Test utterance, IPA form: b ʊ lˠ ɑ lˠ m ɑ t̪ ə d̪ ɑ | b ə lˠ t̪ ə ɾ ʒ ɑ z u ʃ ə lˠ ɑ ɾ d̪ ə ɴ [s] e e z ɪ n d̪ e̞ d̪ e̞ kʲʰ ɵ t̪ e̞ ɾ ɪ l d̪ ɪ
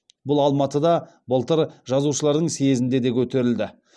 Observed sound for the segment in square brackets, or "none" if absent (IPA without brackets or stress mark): s